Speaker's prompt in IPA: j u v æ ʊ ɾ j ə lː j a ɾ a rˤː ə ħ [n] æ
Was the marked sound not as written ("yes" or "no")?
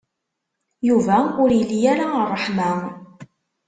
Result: yes